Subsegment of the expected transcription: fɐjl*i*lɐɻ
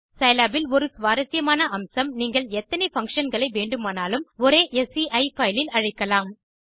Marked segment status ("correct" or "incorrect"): incorrect